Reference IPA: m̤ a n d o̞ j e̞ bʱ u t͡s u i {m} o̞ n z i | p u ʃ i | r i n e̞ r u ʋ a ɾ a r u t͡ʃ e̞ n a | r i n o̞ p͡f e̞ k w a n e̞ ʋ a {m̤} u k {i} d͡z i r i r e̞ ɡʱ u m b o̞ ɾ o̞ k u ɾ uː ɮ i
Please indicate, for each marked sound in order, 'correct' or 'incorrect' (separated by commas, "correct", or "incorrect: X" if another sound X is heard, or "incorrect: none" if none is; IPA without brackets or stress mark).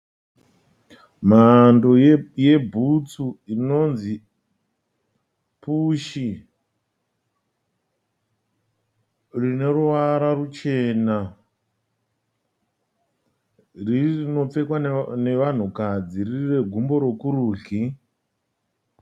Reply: incorrect: n, incorrect: n̤, incorrect: a